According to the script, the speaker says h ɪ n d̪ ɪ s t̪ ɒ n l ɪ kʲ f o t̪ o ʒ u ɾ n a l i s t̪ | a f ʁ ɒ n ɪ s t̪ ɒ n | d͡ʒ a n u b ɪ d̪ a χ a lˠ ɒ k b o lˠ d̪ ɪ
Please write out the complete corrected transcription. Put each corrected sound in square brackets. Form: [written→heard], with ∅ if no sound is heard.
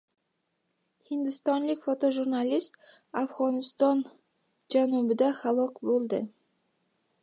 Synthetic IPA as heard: h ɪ n d̪ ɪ s t̪ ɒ n l ɪ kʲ f o t̪ o ʒ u ɾ n a l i s t̪ | a f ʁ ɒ n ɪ s t̪ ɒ n | d͡ʒ a n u b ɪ d̪ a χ a lˠ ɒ k b o lˠ d̪ ɪ

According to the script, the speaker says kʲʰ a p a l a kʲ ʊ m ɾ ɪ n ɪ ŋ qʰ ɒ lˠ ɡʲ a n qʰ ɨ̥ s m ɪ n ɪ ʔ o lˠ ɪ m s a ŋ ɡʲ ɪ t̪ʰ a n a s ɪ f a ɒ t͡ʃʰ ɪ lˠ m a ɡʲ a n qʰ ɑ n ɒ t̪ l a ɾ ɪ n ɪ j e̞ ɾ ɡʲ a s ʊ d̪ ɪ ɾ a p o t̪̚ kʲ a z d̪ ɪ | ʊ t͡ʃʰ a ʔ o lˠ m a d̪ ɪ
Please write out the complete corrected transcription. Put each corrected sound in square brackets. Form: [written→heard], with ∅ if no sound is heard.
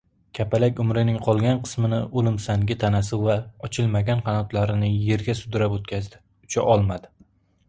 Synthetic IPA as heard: kʲʰ a p a l a kʲ ʊ m ɾ ɪ n ɪ ŋ qʰ ɒ lˠ ɡʲ a n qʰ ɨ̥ s m ɪ n ɪ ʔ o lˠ ɪ m s a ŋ ɡʲ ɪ t̪ʰ a n a s ɪ [f→v] a ɒ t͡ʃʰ ɪ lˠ m a ɡʲ a n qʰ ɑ n ɒ t̪ l a ɾ ɪ n ɪ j e̞ ɾ ɡʲ a s ʊ d̪ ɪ ɾ a p o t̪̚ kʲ a z d̪ ɪ | ʊ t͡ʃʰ a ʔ [o→ɒ] lˠ m a d̪ ɪ

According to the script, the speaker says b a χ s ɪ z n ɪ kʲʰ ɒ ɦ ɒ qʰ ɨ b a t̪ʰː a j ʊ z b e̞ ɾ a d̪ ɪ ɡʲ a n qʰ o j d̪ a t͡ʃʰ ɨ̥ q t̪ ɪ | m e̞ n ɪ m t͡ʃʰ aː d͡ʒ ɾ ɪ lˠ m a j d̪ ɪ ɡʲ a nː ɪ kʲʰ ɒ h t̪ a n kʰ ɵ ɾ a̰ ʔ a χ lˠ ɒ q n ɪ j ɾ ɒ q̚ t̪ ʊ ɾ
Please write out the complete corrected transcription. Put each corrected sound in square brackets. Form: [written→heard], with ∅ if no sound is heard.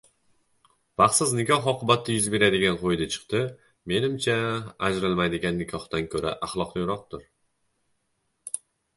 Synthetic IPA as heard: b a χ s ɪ z n ɪ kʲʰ ɒ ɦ ɒ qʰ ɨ b a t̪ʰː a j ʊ z b e̞ ɾ a d̪ ɪ ɡʲ a n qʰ o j d̪ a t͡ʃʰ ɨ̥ q t̪ ɪ | m e̞ n ɪ m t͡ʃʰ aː d͡ʒ ɾ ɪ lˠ m a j d̪ ɪ ɡʲ a nː ɪ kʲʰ ɒ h t̪ a n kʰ ɵ ɾ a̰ ʔ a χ lˠ ɒ q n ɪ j ɾ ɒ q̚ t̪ ʊ ɾ

